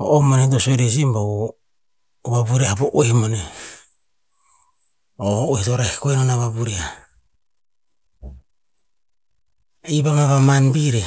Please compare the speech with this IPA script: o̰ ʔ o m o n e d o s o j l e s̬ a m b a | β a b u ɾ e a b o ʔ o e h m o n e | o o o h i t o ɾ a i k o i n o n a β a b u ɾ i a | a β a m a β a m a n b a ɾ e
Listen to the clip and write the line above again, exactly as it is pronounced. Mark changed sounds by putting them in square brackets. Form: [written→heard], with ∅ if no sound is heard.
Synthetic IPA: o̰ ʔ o m o n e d o s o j [l→ɾ] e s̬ [a→i] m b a | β a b u ɾ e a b o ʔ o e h m o n e | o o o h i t o ɾ a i k o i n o n a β a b u ɾ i a | [a→i] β a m a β a m a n b [a→i] ɾ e